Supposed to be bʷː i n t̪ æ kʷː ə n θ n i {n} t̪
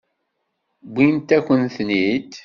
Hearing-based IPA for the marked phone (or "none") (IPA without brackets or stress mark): none